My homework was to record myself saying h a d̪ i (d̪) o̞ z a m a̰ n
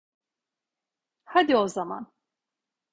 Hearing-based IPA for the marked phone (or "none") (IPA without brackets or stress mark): none